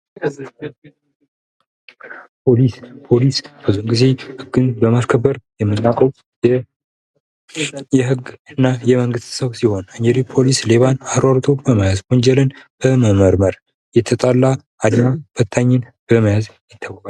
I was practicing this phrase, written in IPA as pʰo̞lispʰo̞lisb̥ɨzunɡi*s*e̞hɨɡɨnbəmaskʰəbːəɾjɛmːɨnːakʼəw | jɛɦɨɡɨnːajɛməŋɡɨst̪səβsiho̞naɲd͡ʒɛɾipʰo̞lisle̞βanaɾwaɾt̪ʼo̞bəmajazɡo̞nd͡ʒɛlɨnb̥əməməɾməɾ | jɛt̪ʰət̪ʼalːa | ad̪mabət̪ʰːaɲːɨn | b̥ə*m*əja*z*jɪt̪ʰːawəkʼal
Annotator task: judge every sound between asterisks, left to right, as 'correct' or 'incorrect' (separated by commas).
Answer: incorrect, correct, correct